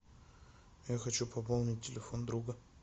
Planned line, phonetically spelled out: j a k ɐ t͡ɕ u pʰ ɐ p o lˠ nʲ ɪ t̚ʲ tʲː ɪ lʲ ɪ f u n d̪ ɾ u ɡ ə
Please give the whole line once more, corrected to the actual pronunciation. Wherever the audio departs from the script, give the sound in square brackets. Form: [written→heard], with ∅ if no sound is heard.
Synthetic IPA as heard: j a [k→x] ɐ t͡ɕ u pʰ ɐ p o lˠ nʲ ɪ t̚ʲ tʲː ɪ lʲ ɪ f [u→o] n d̪ ɾ u ɡ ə